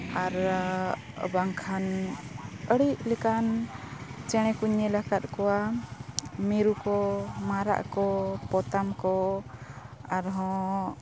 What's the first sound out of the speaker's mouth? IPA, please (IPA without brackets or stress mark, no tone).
a